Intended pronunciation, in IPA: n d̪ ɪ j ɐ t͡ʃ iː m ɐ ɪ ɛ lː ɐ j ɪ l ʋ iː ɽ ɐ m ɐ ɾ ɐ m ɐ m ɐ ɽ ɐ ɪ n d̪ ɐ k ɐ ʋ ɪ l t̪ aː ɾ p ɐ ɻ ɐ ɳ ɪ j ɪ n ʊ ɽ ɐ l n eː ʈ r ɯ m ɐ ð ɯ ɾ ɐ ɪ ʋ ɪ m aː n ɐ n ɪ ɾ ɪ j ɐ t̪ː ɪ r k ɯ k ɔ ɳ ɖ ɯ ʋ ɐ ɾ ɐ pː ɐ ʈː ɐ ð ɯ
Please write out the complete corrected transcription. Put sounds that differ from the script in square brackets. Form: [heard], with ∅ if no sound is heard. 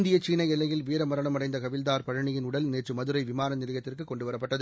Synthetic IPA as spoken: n d̪ ɪ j ɐ t͡ʃ iː [n] ɐ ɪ ɛ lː ɐ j ɪ l ʋ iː [ɾ] ɐ m ɐ ɾ ɐ [ɳ] ɐ m ɐ ɽ ɐ ɪ n d̪ ɐ k ɐ ʋ ɪ l [d̪] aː ɾ p ɐ ɻ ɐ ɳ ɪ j ɪ n ʊ ɽ ɐ l n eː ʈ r ɯ m ɐ ð ɯ ɾ ɐ ɪ ʋ ɪ m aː n ɐ n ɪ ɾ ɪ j ɐ t̪ː ɪ r k ɯ k ɔ ɳ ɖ ɯ ʋ ɐ ɾ ɐ pː ɐ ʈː ɐ ð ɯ